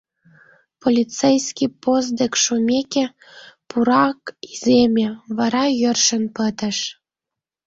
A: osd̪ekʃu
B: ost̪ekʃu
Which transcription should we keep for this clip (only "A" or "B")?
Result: A